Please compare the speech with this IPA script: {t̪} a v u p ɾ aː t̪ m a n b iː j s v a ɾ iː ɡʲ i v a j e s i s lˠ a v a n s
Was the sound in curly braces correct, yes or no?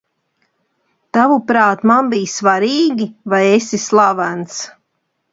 yes